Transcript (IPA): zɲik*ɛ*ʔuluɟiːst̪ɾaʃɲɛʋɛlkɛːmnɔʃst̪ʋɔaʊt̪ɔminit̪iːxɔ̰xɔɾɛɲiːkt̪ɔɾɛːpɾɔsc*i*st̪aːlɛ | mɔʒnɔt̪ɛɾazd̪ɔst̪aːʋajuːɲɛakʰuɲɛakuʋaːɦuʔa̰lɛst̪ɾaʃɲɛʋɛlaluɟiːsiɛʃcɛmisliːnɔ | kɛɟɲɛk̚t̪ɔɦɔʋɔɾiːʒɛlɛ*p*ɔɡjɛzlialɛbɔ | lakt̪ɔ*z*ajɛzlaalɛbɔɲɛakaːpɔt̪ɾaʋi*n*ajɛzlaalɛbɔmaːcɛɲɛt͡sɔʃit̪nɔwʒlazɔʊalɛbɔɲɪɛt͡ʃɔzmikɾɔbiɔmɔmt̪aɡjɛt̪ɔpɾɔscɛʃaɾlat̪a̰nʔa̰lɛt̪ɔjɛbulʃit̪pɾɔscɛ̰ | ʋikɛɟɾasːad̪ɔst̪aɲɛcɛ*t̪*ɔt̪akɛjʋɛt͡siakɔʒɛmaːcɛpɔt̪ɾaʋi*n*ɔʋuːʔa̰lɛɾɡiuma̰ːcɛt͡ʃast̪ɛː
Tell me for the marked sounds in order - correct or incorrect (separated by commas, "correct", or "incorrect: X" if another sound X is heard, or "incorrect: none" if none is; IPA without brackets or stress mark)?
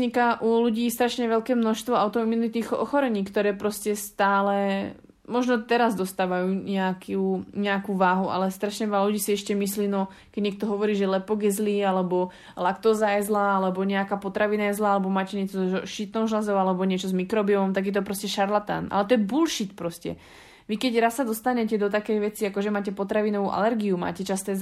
incorrect: a, incorrect: ɛ, correct, correct, correct, incorrect: d̪, correct